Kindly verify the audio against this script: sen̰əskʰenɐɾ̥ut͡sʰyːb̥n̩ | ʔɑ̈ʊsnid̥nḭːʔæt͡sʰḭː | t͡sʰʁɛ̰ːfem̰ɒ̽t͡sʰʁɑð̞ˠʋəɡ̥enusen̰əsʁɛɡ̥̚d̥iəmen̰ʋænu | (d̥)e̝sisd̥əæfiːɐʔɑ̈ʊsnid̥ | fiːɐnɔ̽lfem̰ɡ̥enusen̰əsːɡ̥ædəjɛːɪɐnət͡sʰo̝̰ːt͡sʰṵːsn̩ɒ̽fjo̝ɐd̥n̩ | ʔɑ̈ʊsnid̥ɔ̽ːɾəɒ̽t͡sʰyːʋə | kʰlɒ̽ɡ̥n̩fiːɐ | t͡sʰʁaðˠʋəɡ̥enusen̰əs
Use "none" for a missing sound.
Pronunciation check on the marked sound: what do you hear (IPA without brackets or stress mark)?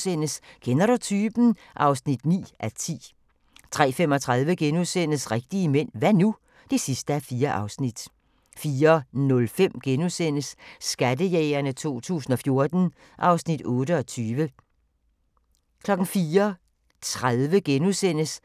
d̥